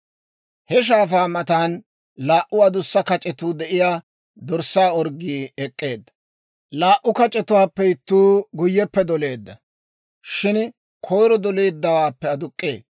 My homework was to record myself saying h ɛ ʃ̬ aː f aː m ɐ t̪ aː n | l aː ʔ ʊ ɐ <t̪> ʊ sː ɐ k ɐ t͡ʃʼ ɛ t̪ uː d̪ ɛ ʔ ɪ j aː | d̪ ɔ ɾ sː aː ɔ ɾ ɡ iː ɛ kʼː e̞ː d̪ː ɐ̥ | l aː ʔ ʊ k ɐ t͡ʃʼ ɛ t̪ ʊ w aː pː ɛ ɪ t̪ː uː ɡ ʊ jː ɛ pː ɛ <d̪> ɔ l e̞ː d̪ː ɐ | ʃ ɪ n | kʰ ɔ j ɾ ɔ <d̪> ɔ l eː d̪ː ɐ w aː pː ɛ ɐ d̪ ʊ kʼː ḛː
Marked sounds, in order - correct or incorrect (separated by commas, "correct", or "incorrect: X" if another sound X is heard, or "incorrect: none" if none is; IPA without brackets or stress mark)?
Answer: incorrect: d̪, correct, correct